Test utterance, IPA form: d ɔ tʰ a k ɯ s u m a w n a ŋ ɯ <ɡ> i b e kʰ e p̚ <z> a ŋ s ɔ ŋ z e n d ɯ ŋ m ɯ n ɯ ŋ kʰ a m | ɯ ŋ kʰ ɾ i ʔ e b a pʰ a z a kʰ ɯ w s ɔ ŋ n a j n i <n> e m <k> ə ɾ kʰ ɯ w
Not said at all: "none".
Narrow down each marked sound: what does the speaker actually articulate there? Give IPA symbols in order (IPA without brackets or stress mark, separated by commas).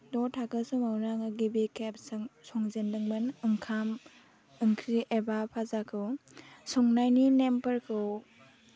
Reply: ɡ, s, n, p